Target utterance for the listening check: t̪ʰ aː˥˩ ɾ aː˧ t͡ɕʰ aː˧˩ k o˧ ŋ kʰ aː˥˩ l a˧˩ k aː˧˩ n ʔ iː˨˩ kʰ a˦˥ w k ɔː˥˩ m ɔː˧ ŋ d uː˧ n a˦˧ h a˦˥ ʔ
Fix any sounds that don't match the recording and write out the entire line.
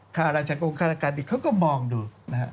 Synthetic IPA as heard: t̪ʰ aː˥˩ ɾ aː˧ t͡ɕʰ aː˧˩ k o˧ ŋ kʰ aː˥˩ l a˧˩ k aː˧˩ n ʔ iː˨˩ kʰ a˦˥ w k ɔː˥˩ m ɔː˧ ŋ d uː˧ n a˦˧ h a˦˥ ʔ